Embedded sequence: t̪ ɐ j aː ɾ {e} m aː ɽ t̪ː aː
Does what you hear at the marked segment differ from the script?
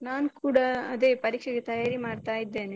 yes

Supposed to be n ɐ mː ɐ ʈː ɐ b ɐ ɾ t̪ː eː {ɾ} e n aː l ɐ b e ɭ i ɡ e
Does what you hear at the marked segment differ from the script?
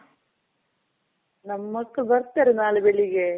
no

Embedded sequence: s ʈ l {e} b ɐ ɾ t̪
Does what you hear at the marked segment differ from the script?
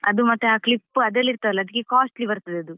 yes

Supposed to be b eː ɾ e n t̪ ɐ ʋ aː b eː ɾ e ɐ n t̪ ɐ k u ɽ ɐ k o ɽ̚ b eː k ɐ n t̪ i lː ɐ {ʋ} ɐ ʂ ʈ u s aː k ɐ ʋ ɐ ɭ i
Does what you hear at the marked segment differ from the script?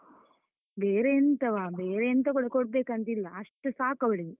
yes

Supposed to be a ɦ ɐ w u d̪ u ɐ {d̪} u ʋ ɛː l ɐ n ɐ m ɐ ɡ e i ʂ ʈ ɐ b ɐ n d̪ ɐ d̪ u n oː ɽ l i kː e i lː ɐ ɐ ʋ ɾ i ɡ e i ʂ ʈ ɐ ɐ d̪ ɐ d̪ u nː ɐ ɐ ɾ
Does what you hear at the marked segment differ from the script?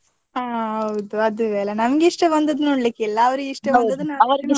no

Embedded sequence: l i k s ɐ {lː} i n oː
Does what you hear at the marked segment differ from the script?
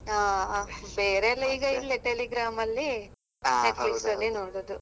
no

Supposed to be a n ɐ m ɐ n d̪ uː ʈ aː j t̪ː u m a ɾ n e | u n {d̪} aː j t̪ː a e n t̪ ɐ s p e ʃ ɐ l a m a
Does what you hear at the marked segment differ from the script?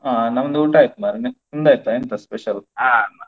no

